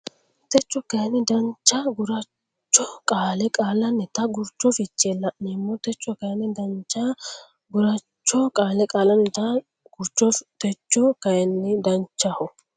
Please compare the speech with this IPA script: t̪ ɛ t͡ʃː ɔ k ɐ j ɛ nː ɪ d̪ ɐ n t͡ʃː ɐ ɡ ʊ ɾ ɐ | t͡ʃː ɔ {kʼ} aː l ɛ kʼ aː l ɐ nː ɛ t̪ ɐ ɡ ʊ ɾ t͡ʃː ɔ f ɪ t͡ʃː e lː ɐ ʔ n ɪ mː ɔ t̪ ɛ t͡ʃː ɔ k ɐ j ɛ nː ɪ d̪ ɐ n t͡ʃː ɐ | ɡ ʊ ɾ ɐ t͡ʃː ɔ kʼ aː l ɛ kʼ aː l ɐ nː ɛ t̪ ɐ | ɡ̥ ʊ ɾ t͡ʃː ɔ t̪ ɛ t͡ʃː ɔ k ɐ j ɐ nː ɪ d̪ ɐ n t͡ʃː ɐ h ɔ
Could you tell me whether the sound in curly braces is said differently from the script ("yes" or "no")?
no